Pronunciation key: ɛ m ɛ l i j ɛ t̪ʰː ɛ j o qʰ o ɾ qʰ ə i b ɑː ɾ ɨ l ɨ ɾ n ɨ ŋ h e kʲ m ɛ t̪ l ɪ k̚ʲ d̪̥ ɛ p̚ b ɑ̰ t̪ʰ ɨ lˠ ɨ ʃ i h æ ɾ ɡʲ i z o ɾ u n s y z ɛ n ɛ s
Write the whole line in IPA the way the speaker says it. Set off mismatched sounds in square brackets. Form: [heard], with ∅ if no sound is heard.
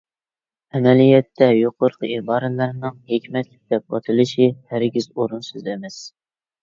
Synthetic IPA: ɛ m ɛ l i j ɛ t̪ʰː ɛ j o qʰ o ɾ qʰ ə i b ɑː ɾ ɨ l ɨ ɾ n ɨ ŋ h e kʲ m ɛ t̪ l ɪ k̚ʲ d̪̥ ɛ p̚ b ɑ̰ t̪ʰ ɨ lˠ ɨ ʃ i h æ ɾ ɡʲ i z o ɾ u n s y z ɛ [m] ɛ s